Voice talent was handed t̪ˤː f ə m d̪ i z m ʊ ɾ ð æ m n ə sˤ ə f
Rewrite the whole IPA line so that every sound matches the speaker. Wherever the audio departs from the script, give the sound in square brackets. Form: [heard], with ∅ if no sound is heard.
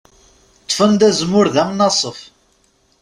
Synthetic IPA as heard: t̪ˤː f ə [n] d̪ [æ] z m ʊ ɾ ð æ m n [ɑ] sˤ ə f